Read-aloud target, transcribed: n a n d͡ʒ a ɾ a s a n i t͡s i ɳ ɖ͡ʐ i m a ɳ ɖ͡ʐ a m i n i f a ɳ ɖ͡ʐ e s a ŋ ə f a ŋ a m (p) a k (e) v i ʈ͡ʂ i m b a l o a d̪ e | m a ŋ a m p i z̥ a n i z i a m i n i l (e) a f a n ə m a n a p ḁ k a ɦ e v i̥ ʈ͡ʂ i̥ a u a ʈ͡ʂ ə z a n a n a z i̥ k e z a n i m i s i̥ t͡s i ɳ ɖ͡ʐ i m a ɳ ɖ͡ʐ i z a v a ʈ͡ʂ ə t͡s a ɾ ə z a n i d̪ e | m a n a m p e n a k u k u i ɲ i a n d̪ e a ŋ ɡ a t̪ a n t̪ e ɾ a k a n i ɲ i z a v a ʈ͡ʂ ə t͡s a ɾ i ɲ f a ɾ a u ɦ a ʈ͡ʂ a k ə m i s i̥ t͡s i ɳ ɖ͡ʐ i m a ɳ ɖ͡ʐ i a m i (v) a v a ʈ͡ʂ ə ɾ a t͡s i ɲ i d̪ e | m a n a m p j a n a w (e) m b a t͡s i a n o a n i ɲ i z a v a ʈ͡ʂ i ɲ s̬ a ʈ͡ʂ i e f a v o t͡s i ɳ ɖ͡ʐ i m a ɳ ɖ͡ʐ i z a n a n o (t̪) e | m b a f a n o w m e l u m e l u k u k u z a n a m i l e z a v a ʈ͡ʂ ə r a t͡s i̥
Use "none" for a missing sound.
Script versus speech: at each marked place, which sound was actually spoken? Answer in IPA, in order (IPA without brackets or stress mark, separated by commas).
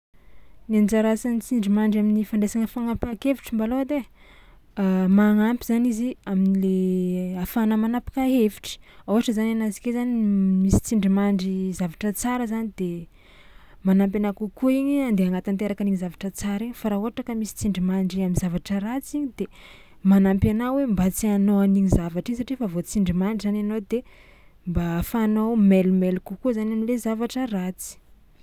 p, e, e, z, e, d̪